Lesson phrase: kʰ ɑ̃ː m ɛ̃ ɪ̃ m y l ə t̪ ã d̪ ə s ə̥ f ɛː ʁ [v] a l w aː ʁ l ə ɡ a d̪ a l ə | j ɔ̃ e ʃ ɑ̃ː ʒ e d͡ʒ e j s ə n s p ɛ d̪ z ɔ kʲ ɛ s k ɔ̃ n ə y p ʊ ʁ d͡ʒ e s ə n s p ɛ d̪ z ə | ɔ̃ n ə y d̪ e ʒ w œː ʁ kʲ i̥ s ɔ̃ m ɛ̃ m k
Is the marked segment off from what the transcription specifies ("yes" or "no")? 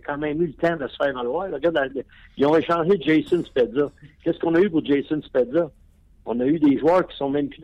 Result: no